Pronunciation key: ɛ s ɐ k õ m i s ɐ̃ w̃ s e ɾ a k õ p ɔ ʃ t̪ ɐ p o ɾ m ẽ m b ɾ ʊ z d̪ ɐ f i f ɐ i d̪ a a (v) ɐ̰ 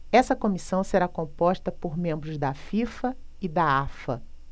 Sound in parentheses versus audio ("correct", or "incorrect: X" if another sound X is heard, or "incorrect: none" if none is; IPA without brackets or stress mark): incorrect: f